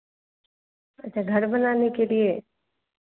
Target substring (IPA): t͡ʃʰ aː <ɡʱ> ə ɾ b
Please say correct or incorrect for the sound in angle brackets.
correct